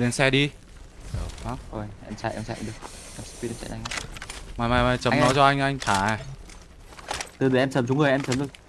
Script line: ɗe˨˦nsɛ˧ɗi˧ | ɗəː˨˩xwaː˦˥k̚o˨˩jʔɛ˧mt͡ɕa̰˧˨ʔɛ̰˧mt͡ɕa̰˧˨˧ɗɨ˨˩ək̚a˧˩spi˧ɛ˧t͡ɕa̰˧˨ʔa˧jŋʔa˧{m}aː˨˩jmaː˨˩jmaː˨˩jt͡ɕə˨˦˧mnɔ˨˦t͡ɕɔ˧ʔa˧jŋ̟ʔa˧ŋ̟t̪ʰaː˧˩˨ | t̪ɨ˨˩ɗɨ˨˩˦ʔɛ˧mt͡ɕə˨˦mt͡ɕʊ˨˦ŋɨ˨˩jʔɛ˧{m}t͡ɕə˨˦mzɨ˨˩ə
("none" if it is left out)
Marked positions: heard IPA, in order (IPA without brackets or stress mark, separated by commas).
m, m